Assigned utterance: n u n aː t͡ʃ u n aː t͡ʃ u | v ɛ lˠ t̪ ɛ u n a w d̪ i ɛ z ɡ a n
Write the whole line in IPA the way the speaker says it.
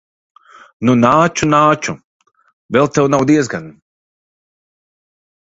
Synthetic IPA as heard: n u n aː t͡ʃ u n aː t͡ʃ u | v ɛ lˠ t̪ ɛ w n a w d̪ i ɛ z ɡ a n